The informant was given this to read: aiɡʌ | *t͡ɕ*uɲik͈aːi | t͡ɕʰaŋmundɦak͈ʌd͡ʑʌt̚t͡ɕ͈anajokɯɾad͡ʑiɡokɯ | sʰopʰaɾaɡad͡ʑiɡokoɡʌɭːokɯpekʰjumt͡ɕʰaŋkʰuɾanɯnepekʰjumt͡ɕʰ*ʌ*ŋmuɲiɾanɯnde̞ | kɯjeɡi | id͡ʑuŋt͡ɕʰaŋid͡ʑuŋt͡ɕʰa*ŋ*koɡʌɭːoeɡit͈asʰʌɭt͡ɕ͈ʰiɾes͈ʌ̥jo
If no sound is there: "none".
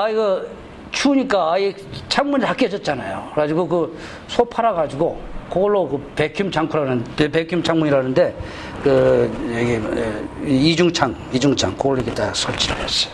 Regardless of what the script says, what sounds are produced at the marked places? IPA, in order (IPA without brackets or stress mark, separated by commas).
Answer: t͡ɕʰ, a, ŋ